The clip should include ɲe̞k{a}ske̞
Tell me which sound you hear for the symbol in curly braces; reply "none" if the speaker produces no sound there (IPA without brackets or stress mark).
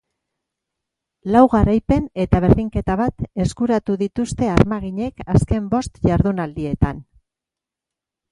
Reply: a